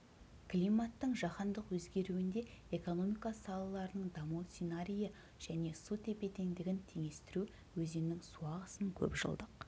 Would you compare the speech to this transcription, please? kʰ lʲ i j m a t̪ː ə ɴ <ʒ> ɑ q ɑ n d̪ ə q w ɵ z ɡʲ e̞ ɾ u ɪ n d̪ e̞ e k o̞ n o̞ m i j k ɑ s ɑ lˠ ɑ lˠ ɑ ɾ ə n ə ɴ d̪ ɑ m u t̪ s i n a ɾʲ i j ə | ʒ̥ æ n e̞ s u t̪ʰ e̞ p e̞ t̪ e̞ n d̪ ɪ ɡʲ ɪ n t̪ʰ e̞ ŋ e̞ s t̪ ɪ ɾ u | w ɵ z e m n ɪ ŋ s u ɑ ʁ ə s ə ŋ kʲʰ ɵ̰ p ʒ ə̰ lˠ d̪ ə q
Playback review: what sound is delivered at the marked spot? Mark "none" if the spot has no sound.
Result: ʒ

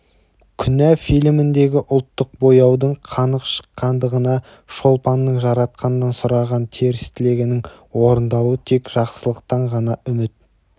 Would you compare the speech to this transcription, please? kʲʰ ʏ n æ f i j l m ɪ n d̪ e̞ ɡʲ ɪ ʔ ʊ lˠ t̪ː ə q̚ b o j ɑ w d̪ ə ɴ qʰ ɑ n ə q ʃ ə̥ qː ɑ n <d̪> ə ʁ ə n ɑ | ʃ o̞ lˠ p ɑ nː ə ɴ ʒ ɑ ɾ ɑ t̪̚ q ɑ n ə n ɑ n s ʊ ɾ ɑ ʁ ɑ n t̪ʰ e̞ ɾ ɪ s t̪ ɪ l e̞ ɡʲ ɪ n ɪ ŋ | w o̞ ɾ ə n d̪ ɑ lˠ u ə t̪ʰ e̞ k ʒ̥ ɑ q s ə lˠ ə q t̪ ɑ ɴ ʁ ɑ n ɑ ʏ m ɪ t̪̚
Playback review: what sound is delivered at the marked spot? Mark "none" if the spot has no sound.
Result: d̪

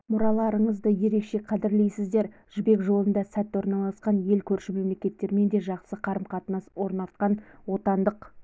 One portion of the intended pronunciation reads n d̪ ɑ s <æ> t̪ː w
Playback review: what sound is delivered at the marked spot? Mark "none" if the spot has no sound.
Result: æ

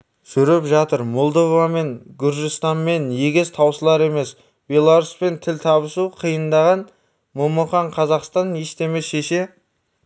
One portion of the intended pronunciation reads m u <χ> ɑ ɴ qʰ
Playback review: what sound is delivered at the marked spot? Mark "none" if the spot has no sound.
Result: χ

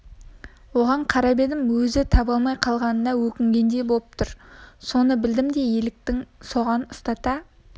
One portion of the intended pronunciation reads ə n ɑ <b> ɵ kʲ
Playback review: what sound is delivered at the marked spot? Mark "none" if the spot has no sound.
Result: w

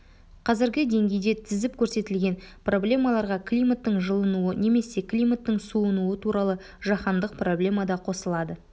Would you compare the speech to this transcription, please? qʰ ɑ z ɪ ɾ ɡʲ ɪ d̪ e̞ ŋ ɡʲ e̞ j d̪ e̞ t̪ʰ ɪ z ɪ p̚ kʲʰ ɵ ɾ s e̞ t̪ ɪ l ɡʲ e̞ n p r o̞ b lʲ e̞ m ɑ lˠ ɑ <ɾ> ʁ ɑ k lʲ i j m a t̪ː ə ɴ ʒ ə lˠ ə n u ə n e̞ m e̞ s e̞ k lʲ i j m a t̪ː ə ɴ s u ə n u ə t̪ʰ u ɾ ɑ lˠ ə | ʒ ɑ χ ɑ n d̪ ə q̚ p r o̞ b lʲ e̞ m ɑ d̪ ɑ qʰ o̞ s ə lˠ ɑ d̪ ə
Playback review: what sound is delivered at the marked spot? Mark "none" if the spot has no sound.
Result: ɾ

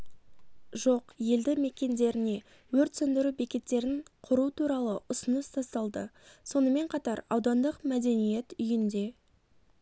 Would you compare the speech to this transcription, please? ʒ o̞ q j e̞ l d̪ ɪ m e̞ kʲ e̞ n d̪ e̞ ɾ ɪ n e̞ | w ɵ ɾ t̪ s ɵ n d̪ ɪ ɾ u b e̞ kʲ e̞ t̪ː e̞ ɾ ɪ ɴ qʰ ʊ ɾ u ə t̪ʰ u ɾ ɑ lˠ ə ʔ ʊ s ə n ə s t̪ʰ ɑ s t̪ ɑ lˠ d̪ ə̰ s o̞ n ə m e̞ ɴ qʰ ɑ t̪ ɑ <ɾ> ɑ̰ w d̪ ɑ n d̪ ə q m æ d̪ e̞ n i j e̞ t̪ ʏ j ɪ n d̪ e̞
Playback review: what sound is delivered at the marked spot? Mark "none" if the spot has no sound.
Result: ɾ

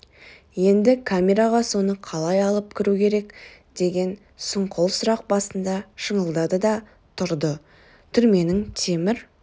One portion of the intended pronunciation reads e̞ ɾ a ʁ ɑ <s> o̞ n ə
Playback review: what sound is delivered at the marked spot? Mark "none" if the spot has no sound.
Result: s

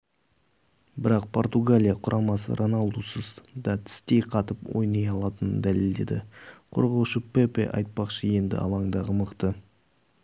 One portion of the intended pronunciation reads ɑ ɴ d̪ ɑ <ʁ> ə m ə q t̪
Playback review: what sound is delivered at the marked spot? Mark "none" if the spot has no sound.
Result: ʁ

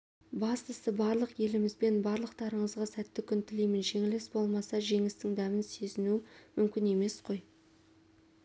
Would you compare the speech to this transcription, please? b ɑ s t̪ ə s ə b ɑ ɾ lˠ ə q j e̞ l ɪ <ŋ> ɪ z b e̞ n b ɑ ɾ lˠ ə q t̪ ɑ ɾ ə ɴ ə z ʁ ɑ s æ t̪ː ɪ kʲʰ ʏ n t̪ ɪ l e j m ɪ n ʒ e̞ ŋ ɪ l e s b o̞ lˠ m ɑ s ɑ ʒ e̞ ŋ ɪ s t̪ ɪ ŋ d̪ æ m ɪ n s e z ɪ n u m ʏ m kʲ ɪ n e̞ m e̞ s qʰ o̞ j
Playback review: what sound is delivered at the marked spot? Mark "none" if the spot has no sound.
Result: m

